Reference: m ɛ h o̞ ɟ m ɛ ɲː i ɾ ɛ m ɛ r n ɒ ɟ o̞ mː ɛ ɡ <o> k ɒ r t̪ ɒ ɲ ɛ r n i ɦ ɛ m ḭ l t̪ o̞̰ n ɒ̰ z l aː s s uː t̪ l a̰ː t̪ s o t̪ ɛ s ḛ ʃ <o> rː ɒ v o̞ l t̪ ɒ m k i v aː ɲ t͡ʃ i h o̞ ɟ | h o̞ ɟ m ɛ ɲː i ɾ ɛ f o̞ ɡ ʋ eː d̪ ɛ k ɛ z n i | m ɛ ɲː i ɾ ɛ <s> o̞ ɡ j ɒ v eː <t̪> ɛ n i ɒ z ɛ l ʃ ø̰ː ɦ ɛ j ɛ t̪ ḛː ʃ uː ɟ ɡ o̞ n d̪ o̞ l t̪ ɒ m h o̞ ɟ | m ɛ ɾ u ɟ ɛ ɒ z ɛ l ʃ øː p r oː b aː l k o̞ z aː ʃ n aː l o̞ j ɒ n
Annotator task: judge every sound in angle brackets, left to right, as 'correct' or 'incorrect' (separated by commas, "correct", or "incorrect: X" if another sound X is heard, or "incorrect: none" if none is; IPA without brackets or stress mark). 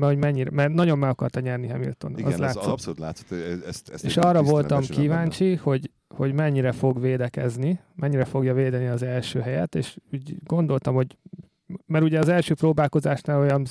incorrect: ɒ, incorrect: ɒ, incorrect: f, incorrect: d̪